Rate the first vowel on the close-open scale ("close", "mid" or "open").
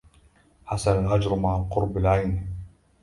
open